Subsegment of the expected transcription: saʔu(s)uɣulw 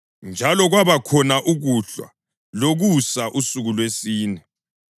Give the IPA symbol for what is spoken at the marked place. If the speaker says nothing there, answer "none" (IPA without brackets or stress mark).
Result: s